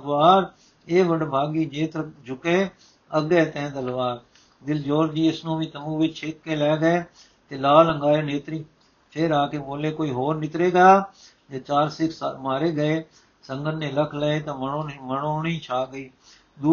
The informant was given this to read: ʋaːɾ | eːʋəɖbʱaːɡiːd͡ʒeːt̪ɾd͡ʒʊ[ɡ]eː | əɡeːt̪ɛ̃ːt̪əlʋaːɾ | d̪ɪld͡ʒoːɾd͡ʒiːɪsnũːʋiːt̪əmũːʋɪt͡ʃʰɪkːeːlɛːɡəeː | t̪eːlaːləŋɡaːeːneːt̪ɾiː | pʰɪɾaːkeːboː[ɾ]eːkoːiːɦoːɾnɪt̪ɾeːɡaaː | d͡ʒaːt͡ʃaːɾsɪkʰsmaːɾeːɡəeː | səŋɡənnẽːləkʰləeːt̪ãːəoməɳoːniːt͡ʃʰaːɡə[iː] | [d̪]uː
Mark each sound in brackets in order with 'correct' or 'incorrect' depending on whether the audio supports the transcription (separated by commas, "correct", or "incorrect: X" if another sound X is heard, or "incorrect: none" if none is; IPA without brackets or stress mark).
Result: incorrect: k, incorrect: l, correct, correct